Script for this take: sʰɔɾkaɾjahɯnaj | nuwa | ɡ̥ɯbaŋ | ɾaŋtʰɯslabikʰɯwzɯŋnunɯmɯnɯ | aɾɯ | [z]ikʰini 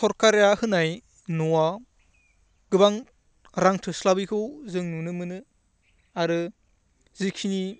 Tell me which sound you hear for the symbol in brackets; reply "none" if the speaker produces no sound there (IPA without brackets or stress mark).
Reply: z